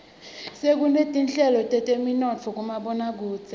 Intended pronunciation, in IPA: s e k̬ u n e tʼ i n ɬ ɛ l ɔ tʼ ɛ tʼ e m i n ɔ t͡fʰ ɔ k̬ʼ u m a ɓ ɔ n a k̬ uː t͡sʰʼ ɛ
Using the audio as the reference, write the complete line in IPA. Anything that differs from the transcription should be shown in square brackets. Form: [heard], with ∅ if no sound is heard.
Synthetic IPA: s e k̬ u n e tʼ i n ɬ ɛ l ɔ tʼ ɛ tʼ e m i n ɔ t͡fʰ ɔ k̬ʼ u m a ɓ ɔ n a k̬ uː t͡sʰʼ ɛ